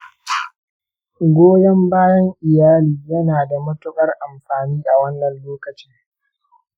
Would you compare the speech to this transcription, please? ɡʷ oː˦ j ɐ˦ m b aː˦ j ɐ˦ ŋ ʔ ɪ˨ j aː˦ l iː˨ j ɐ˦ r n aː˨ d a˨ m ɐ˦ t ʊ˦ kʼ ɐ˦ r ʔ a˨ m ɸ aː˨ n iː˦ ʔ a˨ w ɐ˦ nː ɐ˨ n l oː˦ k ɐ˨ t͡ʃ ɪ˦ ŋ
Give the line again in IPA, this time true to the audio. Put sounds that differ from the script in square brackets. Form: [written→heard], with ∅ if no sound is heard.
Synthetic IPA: ɡʷ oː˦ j ɐ˦ m b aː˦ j ɐ˦ ŋ ʔ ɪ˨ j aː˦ l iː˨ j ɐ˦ [r→∅] n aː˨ d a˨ m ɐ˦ t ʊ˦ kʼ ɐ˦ r ʔ a˨ m ɸ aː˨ n iː˦ ʔ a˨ w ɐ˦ nː ɐ˨ n l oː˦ k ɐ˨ t͡ʃ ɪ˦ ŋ